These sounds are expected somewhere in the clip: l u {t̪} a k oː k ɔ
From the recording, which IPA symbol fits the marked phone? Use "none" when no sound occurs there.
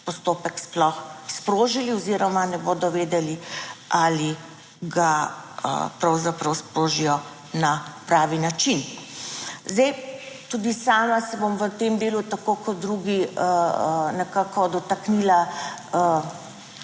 t̪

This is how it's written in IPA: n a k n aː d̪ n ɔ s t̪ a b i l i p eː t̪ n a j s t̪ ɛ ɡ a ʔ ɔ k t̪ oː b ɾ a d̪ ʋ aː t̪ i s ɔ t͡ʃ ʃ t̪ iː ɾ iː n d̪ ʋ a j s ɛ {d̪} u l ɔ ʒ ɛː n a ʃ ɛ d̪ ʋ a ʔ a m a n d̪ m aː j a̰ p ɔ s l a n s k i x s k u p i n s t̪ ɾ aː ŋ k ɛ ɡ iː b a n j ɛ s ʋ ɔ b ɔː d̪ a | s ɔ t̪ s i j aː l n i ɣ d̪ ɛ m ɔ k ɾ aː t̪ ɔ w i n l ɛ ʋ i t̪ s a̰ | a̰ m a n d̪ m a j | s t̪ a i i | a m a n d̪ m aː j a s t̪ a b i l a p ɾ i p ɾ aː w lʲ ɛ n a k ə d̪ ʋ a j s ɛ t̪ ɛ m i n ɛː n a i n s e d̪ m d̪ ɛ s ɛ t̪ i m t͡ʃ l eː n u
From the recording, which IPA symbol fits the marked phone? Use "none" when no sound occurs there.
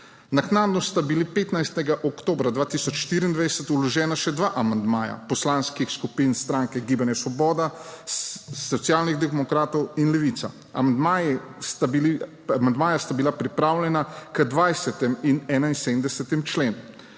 t̪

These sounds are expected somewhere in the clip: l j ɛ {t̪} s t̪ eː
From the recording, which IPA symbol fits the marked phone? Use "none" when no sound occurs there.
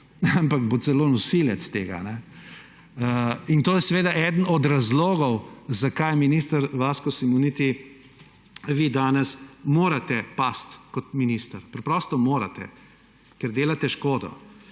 t̪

